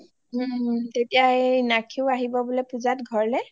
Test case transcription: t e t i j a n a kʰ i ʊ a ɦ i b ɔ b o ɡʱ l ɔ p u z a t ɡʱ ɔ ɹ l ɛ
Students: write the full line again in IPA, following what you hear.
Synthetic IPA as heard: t e t i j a n a kʰ i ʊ a ɦ i b ɔ b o l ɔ p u z a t ɡʱ ɔ ɹ l ɛ

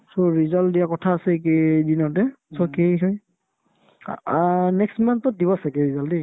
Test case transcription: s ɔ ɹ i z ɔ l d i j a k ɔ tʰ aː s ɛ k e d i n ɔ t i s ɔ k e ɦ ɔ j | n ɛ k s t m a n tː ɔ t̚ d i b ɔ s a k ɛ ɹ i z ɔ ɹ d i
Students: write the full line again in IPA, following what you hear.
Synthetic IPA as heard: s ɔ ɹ i z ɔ l d i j a k ɔ tʰ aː s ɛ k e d i n ɔ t ɛ s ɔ k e ɦ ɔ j | n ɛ k s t m a n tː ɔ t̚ d i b ɔ s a k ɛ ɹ i z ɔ l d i

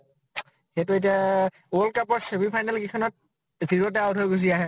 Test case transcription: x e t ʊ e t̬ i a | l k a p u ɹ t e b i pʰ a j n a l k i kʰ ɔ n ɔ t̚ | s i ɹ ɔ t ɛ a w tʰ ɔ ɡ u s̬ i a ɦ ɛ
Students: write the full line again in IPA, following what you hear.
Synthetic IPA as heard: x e t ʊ e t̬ i a | l k a p ɔ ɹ s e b i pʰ a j n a l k i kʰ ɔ n ɔ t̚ | z i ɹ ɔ t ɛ a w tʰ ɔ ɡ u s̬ i a ɦ ɛ

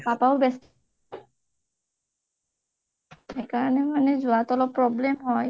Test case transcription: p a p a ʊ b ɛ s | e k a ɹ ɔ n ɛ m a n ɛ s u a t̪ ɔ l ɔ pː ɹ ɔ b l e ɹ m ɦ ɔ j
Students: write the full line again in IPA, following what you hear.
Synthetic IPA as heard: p a p a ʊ b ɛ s | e k a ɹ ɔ n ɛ m a n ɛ z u a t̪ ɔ l ɔ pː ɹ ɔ b l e m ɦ ɔ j

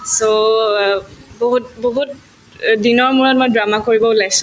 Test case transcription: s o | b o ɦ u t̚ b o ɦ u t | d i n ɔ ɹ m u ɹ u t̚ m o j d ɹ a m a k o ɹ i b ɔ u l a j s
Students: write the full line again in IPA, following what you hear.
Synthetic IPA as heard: s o | b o ɦ u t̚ b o ɦ u t | d i n ɔ ɹ m u ɹ ɔ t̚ m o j d ɹ a m a k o ɹ i b ɔ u l a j s

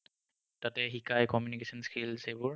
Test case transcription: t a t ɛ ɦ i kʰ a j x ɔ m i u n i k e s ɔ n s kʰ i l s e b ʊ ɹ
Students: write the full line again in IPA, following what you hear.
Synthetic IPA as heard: t a t ɛ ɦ i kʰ a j k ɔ m j u n i k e s ɔ n s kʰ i l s e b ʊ ɹ

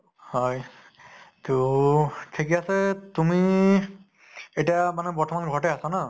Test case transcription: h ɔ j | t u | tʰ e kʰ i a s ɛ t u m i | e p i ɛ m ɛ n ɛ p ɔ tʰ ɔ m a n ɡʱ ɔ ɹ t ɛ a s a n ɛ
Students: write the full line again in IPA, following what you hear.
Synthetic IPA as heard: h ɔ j | t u | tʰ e k i a s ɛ t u m i | e t i a m a n ɛ p ɔ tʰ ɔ m a n ɡʱ ɔ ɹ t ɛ a s a n a

